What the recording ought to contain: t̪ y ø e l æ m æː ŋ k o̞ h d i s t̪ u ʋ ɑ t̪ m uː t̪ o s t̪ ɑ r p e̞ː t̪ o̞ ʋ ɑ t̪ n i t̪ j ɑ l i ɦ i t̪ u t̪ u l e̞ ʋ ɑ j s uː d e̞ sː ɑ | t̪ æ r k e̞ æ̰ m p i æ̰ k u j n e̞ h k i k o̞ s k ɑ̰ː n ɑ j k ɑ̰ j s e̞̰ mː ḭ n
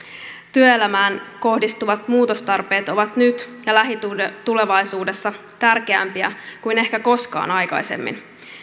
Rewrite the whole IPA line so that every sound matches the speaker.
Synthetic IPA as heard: t̪ y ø e l æ m æː n k o̞ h d i s t̪ u ʋ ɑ t̪ m uː t̪ o s t̪ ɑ r p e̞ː t̪ o̞ ʋ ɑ t̪ n y t̪ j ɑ l æ ɦ i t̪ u t̪ u l e̞ ʋ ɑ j s uː d e̞ sː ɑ | t̪ æ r k e̞ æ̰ m p i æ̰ k u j n e̞ h k æ k o̞ s k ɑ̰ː n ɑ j k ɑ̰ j s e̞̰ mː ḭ n